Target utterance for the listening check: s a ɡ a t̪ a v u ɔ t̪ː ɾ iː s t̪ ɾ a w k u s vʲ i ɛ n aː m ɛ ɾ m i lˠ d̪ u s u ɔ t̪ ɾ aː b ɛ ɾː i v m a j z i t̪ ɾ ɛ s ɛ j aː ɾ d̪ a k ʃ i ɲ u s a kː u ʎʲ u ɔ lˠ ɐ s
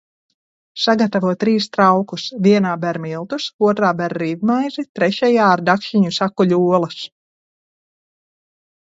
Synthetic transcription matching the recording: s a ɡ a t̪ a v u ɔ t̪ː ɾ iː s t̪ ɾ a w k u s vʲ i ɛ n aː b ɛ ɾ m i lˠ t̪ u s u ɔ t̪ ɾ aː b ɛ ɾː i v m a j z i t̪ ɾ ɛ ʃ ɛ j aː ɾ d̪ a k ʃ i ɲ u s a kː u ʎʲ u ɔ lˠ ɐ s